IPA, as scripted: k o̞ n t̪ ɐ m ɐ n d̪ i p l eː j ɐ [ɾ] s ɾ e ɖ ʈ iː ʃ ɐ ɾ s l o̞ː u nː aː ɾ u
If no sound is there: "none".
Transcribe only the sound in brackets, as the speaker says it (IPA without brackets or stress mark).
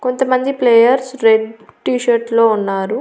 ɾ